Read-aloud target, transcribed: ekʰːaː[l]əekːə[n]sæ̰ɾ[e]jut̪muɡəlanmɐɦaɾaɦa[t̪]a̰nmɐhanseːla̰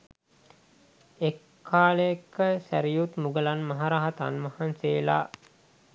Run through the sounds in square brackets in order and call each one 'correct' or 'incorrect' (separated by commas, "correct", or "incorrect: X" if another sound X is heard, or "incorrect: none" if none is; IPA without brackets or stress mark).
correct, incorrect: none, incorrect: i, correct